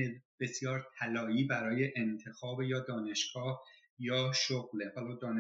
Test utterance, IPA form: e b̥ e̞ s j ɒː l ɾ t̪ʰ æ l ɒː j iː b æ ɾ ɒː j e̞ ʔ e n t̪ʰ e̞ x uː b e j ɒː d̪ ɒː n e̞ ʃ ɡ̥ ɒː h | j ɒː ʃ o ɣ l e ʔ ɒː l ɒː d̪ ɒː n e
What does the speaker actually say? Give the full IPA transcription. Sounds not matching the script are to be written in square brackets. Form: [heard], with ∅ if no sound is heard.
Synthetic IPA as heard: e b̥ e̞ s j ɒː [∅] ɾ t̪ʰ æ l ɒː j iː b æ ɾ ɒː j e̞ ʔ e n t̪ʰ e̞ x [ɒː] b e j ɒː d̪ ɒː n e̞ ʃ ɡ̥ ɒː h | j ɒː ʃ o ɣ l e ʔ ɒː l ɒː d̪ ɒː n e